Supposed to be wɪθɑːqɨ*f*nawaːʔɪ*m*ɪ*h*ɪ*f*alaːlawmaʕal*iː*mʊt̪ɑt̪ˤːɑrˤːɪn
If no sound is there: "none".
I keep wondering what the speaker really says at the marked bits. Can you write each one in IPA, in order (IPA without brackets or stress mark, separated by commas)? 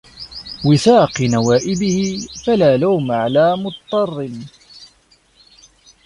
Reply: none, b, h, f, aː